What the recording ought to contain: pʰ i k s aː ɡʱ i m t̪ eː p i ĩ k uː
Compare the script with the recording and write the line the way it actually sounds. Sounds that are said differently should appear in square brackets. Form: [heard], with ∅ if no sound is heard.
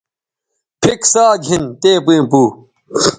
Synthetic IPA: pʰ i k s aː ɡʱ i [n] t̪ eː p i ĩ [p] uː